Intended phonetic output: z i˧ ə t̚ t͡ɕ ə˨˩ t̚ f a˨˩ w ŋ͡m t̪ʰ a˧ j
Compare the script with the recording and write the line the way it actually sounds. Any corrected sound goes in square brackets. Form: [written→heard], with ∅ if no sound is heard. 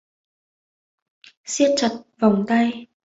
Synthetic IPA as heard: [z→s] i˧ ə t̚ t͡ɕ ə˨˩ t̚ [f→v] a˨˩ w ŋ͡m [t̪ʰ→t̪] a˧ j